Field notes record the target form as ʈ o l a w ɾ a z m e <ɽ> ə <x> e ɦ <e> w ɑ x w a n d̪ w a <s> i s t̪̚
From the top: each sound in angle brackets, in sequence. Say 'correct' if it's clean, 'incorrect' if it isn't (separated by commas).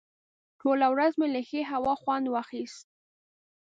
incorrect, correct, incorrect, incorrect